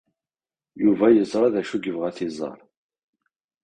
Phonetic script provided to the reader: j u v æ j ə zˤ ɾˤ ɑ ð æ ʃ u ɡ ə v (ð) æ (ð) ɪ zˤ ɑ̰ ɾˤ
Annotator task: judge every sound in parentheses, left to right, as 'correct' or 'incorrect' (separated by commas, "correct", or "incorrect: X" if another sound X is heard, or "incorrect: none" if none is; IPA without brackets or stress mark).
incorrect: ʁ, incorrect: θ